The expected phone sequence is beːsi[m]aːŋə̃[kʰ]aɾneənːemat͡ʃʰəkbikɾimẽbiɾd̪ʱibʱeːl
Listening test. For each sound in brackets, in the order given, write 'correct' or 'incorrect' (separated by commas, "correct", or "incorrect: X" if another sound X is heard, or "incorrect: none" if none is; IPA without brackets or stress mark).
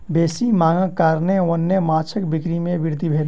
correct, incorrect: k